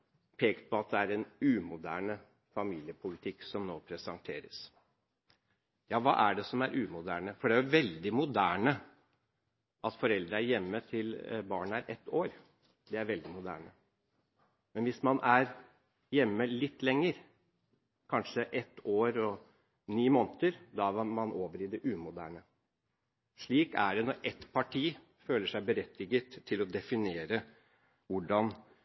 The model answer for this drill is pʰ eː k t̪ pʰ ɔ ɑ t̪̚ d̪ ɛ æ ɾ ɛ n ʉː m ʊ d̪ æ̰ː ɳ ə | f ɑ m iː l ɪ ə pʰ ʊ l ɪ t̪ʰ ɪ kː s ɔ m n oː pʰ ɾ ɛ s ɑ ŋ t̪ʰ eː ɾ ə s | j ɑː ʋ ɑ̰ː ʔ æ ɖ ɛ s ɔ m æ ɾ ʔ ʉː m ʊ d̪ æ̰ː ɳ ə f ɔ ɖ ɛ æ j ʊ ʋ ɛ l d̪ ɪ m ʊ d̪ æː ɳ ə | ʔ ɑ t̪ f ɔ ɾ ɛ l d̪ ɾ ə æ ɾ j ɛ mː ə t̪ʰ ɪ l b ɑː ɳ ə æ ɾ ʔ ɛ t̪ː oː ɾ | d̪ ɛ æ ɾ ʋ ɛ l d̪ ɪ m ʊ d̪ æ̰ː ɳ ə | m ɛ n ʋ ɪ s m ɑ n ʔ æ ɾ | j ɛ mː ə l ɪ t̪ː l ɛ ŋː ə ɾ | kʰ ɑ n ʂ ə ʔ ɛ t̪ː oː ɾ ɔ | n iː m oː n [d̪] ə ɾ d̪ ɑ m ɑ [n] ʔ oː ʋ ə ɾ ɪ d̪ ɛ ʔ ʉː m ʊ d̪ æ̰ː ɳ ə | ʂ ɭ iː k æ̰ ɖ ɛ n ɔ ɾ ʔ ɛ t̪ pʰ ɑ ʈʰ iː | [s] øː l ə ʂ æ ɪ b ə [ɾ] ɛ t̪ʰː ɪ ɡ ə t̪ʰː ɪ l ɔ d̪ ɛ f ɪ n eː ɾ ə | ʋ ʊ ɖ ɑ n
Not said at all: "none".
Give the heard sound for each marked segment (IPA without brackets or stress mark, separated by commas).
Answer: t̪, n, f, ɾ